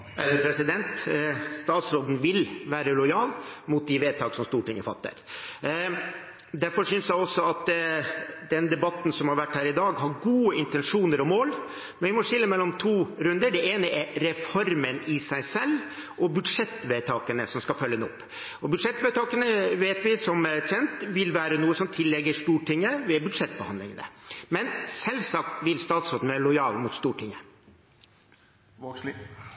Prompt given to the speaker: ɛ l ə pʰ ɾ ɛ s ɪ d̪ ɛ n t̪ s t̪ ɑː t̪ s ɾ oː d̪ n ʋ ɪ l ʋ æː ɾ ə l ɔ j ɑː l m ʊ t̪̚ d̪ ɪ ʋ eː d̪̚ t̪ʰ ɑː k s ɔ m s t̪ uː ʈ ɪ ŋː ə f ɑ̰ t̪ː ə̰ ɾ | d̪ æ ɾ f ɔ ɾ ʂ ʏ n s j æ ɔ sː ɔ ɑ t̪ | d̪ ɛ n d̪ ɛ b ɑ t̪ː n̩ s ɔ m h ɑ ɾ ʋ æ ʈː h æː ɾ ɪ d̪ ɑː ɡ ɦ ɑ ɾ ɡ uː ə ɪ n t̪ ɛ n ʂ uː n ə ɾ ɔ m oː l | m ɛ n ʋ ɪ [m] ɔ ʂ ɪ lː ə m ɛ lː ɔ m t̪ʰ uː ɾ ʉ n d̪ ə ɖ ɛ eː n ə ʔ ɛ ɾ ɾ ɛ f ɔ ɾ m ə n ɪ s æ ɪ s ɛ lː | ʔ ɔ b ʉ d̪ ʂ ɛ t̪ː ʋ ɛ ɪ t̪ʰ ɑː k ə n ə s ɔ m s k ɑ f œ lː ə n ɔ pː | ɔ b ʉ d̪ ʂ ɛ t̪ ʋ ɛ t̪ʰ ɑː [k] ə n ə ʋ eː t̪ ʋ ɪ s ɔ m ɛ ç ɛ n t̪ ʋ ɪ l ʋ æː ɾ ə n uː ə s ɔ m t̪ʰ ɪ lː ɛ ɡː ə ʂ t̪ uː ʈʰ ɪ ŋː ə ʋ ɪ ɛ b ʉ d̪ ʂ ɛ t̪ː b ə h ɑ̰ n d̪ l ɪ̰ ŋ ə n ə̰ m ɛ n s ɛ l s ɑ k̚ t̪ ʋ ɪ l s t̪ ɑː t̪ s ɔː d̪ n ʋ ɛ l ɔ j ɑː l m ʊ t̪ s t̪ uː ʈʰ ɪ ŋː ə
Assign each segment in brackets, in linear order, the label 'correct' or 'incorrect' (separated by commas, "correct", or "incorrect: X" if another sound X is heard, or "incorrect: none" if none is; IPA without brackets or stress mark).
correct, correct